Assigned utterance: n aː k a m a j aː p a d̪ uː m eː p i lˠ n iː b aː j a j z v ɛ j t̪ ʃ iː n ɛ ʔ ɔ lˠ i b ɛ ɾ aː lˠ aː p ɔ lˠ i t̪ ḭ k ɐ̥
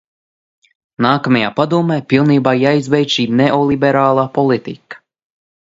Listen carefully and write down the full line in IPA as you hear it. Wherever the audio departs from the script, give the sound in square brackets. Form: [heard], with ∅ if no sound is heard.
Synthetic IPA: n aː k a m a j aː p a d̪ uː m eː p i lˠ n iː b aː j a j z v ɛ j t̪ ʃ iː n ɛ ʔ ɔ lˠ i b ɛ ɾ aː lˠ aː p ɔ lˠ i t̪ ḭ k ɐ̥